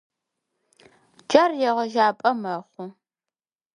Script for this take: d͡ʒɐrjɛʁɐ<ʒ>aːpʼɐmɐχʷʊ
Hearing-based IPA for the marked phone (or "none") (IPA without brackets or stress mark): ʒ